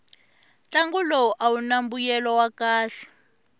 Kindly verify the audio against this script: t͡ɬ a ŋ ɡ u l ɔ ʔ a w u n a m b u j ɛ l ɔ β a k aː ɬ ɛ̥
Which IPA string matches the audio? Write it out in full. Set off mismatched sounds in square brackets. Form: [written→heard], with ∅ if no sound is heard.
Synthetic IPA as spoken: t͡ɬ a ŋ ɡ u l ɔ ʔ a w u n a m b u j ɛ l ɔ [β→w] a k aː ɬ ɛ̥